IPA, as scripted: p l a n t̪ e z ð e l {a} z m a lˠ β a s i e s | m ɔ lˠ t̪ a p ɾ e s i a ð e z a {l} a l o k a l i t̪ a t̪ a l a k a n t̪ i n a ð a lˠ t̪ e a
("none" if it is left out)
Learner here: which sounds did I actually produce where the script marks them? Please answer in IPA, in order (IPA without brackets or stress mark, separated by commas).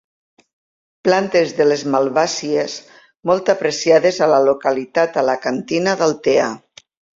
e, l